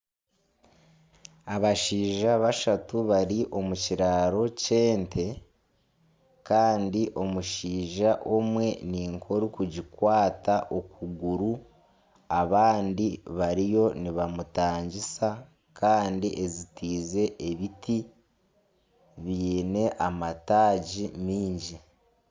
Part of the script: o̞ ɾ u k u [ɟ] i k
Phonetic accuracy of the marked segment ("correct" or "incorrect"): correct